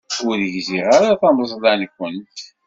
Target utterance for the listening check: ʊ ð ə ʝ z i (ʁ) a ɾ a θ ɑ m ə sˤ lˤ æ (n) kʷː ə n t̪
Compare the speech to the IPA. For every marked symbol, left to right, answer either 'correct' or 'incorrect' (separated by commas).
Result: correct, correct